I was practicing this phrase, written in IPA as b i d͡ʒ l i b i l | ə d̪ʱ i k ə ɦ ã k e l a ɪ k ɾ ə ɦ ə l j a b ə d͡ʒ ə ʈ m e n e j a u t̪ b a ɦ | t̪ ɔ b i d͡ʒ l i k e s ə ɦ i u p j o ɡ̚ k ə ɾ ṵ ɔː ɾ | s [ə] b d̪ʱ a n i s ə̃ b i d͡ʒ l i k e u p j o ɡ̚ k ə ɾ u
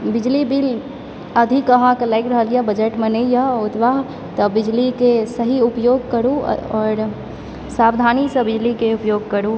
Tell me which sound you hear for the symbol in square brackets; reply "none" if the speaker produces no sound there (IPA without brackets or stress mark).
a